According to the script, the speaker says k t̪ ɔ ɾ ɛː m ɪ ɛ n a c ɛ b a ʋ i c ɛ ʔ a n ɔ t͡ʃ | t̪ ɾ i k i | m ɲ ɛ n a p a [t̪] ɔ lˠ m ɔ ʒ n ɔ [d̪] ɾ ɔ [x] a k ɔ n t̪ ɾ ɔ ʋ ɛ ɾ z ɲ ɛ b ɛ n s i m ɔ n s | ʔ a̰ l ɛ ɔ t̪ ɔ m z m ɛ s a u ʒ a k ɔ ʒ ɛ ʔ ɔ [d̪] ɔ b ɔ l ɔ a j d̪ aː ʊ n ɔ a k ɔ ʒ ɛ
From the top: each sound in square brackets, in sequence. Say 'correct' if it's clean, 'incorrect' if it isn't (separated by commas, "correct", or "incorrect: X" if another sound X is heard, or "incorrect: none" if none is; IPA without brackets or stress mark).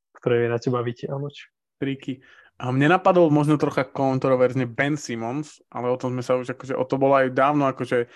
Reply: incorrect: d̪, incorrect: t̪, correct, incorrect: t̪